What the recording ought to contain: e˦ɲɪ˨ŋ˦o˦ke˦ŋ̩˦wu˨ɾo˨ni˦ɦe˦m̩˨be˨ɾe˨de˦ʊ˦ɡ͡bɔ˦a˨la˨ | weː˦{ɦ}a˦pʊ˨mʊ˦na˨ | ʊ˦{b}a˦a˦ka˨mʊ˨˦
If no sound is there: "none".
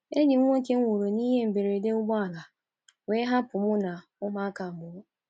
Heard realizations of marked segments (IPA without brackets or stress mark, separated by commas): ɦ, m